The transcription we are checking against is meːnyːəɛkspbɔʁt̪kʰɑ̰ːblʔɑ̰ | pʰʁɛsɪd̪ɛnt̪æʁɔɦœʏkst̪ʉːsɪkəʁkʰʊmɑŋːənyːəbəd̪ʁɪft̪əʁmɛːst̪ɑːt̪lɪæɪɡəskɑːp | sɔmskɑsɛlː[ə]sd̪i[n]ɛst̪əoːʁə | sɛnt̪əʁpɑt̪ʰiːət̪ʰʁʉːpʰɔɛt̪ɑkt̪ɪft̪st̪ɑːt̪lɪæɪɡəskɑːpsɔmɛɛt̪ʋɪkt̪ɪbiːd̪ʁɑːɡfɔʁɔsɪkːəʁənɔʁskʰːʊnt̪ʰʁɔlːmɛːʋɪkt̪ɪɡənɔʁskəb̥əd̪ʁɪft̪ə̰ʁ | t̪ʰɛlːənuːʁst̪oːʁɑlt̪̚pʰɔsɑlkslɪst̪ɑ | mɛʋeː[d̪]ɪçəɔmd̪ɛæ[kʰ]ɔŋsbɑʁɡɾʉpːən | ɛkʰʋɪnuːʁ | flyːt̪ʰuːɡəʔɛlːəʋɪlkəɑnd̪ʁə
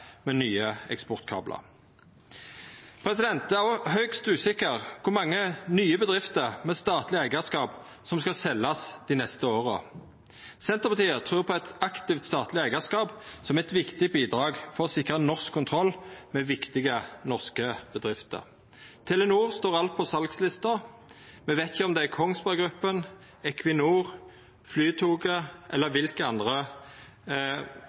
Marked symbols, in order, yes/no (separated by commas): no, yes, no, yes